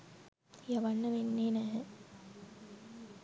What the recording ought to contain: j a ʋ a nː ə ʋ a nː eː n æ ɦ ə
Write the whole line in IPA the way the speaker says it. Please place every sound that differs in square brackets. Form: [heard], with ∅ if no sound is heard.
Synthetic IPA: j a ʋ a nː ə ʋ [e] nː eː n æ ɦ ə